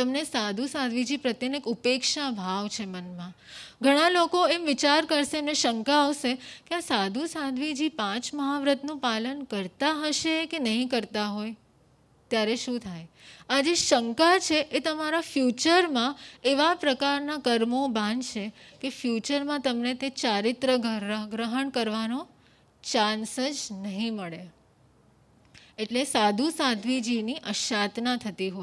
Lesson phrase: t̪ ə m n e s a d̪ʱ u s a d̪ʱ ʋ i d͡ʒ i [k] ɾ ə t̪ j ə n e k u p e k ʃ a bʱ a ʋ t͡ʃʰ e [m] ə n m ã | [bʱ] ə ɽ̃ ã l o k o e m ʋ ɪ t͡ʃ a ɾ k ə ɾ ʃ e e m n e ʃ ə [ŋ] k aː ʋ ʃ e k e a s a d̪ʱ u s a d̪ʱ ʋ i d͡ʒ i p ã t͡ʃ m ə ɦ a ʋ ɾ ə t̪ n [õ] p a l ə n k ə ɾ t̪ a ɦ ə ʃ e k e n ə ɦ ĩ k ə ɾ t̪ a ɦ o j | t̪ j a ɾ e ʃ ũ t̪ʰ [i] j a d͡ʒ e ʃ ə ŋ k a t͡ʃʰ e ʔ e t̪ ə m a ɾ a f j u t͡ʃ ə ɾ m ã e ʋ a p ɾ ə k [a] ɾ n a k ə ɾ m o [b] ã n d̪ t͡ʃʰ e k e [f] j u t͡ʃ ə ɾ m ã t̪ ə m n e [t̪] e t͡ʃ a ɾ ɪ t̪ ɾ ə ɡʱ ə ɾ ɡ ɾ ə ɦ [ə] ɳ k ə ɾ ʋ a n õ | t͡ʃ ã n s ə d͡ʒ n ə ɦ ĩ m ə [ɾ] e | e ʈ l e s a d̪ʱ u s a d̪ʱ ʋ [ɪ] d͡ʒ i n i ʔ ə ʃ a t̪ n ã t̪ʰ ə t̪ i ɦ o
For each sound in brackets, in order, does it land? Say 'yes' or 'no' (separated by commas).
no, yes, no, yes, no, no, yes, yes, yes, yes, yes, no, no